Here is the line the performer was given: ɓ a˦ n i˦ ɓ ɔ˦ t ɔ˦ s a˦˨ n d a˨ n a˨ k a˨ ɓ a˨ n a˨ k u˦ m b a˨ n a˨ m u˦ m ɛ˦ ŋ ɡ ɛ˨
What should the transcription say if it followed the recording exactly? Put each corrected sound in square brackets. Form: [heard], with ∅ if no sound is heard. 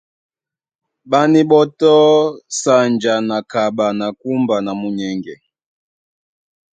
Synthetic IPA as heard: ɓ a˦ n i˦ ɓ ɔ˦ t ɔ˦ s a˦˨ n [d͡ʒ] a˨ n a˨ k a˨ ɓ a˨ n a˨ k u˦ m b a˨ n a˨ m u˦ [ɲ] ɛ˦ ŋ ɡ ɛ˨

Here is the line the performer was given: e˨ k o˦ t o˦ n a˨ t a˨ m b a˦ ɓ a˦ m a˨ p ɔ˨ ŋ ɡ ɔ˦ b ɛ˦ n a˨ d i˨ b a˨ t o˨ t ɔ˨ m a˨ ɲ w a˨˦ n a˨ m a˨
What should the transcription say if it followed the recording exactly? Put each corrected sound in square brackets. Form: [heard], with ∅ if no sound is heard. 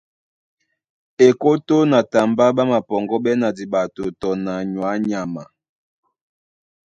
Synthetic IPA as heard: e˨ k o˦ t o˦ n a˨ t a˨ m b a˦ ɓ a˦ m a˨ p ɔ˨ ŋ ɡ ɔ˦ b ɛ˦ n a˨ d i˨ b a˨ t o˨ t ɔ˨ [n] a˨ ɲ w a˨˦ [ɲ] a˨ m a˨

